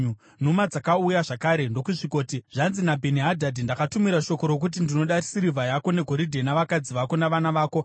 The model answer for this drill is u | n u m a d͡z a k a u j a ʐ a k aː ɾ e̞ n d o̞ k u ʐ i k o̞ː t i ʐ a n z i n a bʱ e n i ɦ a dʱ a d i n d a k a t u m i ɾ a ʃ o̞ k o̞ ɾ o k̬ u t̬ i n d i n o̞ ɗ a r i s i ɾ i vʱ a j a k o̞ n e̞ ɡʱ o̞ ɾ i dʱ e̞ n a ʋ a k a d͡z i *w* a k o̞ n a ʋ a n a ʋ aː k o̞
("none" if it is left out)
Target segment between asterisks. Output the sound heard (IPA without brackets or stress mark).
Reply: ʋ